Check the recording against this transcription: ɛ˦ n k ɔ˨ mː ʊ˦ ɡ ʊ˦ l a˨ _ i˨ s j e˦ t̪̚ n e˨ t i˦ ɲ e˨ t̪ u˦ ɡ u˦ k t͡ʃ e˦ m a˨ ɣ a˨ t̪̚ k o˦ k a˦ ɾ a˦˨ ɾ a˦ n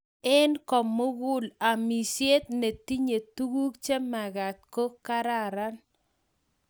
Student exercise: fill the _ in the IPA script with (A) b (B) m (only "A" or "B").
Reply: B